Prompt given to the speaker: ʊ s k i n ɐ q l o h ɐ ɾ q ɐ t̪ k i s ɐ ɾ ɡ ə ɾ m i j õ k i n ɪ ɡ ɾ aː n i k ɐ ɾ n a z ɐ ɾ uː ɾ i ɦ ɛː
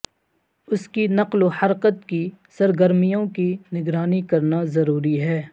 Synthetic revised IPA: ʊ s k i n ɐ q l o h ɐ ɾ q ə t̪ k i s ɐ ɾ ɡ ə ɾ m i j õ k i n ɪ ɡ ɾ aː n i k ɐ ɾ n a z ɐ ɾ uː ɾ i ɦ ɛː